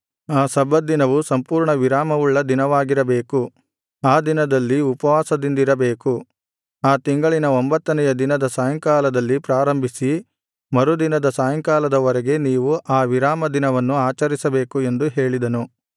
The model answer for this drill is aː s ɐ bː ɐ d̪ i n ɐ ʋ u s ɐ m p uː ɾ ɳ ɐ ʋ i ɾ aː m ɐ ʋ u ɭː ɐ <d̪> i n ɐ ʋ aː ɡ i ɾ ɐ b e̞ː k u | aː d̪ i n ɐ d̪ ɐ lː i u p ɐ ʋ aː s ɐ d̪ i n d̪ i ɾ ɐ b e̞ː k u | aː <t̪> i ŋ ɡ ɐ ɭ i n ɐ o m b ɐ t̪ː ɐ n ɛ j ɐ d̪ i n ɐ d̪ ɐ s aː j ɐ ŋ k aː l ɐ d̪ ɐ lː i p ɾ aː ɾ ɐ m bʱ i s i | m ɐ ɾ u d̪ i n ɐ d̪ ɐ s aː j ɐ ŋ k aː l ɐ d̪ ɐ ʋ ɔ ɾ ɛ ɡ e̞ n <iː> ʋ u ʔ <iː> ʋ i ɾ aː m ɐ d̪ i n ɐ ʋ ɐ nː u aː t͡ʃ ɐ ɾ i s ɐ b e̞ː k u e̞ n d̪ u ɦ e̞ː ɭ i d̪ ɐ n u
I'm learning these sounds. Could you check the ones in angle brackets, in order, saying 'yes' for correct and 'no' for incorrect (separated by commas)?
yes, yes, yes, no